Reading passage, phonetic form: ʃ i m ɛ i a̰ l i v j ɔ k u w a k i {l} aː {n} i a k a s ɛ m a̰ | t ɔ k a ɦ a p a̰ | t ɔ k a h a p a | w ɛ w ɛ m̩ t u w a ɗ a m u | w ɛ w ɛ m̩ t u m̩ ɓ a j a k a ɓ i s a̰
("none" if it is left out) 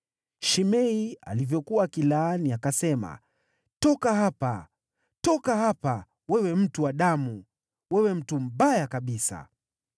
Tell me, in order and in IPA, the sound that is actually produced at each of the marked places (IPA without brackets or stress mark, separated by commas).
l, n